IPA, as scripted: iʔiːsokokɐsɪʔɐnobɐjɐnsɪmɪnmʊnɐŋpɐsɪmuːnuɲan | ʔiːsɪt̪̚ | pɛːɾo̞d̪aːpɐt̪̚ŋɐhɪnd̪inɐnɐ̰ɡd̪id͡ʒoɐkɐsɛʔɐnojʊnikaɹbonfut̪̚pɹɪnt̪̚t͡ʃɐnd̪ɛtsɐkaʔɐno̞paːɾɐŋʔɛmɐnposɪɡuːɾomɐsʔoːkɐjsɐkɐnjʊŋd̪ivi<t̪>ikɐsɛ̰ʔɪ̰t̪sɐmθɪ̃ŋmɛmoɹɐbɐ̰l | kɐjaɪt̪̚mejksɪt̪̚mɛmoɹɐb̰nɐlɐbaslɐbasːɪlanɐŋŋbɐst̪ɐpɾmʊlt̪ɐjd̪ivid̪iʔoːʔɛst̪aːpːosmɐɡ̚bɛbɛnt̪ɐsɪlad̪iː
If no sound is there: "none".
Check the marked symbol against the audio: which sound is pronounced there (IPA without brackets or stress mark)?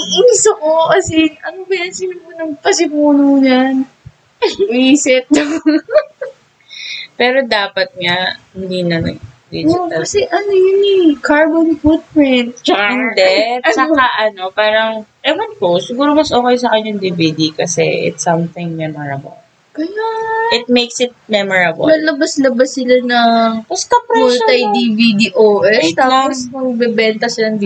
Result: d̪